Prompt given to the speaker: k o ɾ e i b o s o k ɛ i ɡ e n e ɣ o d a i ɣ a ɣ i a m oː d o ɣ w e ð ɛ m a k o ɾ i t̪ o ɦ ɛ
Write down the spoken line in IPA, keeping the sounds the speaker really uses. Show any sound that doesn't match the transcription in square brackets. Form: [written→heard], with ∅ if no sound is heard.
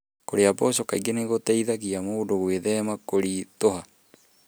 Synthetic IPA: k o ɾ e [i→a] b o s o k [ɛ→a] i ɡ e n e ɣ o [d→t] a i [ɣ→ð] a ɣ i a m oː d o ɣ w e ð ɛ m a k o ɾ i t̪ o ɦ [ɛ→a]